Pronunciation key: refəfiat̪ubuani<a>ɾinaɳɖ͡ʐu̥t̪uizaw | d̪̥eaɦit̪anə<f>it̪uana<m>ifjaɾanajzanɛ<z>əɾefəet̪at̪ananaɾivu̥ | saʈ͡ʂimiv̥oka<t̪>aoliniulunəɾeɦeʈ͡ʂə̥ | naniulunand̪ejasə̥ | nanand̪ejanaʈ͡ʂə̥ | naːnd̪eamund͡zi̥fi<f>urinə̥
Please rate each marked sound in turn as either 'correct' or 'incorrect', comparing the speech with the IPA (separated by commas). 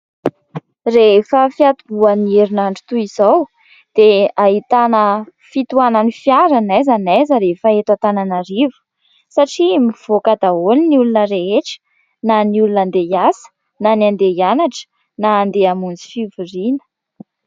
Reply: incorrect, correct, incorrect, correct, incorrect, incorrect